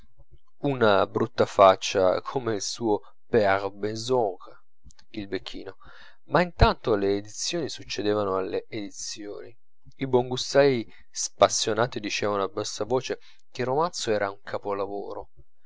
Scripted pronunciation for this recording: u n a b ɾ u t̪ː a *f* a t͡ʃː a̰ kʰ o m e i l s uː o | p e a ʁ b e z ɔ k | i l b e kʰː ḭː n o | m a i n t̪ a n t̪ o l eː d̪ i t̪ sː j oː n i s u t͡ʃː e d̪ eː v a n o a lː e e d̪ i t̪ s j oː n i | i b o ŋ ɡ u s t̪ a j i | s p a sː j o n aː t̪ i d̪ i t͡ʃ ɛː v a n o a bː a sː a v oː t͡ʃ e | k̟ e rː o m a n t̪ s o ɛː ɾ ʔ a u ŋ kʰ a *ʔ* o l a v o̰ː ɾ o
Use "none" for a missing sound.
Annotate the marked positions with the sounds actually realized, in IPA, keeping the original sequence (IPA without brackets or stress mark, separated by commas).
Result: f, p